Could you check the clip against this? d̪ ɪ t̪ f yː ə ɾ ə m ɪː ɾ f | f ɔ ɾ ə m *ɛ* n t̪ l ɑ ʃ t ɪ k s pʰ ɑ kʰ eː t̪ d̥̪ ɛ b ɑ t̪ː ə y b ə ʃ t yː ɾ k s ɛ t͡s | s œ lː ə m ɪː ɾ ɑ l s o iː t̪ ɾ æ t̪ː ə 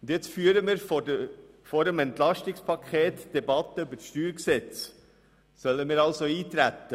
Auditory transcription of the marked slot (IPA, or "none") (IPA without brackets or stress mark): ɛ